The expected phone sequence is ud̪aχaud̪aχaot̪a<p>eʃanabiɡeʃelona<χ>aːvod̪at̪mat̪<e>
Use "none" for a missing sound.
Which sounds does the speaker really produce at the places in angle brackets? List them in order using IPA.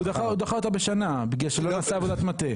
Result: b, s, e

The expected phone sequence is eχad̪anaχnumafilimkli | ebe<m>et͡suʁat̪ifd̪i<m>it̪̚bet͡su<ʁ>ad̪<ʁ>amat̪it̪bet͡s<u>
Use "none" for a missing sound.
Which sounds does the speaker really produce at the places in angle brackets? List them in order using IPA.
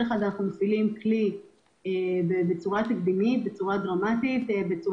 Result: b, m, ʁ, ʁ, u

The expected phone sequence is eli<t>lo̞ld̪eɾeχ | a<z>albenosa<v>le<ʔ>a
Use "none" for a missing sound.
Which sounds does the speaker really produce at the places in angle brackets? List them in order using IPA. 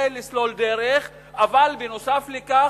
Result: s, v, f, k

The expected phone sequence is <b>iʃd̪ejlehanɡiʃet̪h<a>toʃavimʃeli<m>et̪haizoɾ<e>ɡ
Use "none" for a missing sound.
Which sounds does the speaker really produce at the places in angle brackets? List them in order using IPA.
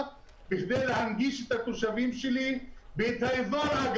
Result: b, a, b, a

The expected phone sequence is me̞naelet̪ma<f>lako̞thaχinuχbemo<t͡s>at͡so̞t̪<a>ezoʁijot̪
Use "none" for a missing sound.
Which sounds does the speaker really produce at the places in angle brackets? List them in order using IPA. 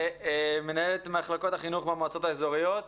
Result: χ, none, a

